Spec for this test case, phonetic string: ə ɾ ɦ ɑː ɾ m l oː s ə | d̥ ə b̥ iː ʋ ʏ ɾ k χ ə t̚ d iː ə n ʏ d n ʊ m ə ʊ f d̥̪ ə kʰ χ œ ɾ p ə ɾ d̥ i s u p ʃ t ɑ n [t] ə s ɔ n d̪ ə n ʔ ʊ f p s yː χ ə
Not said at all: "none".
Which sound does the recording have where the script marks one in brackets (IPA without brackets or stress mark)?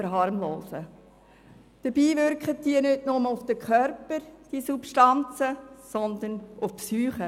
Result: t͡s